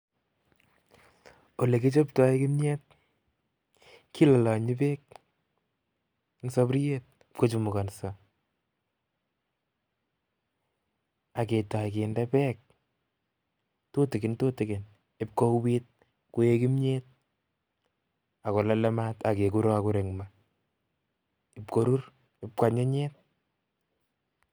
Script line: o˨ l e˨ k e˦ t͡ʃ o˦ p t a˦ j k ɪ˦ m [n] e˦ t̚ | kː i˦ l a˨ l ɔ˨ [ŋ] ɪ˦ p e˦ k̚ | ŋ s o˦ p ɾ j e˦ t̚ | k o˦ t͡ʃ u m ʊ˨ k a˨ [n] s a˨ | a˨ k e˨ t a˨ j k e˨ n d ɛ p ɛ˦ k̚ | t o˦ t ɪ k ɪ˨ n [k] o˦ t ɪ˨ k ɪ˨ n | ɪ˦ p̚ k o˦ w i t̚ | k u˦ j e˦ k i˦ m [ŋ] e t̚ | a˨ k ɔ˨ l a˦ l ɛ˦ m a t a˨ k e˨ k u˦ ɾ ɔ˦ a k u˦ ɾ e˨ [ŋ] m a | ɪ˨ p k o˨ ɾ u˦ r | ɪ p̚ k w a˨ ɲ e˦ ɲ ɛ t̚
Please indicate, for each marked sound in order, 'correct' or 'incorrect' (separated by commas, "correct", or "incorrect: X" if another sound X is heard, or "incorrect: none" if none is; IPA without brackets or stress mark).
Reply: incorrect: ɲ, incorrect: ɲ, correct, incorrect: t, incorrect: ɲ, correct